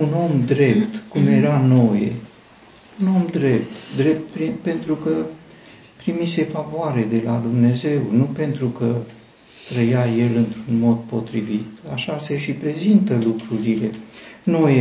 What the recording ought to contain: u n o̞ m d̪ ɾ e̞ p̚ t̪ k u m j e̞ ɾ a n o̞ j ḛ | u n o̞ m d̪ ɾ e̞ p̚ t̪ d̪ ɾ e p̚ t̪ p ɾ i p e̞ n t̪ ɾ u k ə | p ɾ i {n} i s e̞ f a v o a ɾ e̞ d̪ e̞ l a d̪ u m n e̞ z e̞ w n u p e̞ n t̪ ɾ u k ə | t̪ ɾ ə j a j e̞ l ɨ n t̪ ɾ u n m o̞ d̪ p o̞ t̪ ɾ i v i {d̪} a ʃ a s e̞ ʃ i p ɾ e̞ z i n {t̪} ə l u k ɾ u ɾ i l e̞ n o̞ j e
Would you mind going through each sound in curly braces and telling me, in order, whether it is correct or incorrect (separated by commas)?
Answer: incorrect, incorrect, correct